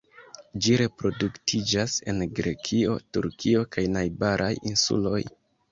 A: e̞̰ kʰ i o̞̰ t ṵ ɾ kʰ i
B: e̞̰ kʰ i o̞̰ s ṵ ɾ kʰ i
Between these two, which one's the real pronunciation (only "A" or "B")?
A